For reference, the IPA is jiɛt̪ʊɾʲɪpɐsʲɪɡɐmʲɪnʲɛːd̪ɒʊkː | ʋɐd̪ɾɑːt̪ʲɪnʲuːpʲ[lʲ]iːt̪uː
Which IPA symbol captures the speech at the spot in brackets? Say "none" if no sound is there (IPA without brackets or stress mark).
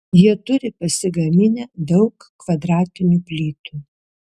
lʲ